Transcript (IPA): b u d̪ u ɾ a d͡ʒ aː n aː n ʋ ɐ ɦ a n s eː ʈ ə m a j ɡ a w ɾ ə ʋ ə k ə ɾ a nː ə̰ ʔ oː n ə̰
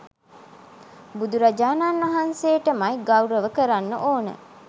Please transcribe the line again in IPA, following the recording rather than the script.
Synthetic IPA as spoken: b u d̪ u ɾ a d͡ʒ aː n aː n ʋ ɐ ɦ a n s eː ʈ ə m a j ɡ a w ɾ ə ʋ ə k ə ɾ a nː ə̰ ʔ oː n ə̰